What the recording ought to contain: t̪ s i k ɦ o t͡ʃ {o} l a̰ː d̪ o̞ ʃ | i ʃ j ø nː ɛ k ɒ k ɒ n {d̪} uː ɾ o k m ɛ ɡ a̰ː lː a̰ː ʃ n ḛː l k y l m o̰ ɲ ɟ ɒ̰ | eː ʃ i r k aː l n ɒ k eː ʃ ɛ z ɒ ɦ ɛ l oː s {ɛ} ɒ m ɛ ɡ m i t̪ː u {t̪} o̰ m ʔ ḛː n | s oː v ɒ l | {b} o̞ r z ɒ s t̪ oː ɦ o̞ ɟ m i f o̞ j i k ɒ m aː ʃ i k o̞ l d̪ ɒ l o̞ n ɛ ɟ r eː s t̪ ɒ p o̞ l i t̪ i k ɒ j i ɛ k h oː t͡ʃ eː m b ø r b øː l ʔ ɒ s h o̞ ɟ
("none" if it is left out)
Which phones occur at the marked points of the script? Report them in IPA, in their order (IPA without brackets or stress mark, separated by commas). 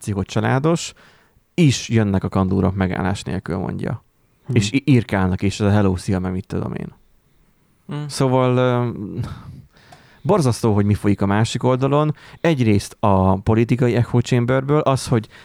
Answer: ɒ, d̪, i, d̪, b